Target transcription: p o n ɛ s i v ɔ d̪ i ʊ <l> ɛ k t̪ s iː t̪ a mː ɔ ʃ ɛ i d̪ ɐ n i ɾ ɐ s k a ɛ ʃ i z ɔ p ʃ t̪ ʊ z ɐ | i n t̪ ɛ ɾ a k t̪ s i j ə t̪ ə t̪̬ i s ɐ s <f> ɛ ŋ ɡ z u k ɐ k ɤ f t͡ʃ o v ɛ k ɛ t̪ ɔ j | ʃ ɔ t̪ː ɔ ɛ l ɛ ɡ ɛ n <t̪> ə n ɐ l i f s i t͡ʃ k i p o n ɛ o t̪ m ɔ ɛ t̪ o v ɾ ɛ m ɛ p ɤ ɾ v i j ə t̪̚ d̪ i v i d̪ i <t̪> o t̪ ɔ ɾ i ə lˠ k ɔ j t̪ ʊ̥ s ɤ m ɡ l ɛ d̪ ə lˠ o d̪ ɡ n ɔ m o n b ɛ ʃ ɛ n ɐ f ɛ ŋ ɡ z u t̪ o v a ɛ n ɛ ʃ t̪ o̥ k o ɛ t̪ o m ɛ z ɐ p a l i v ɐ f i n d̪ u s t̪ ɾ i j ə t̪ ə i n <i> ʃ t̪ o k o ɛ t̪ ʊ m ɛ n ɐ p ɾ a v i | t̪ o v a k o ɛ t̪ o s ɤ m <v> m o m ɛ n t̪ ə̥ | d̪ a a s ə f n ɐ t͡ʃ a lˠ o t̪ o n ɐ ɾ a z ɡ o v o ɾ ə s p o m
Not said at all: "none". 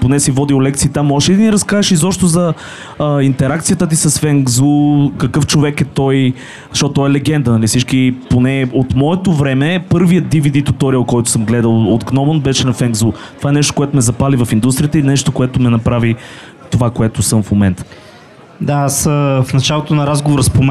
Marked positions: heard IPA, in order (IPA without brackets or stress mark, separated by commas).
l, f, d̪, t̪, ɛ, f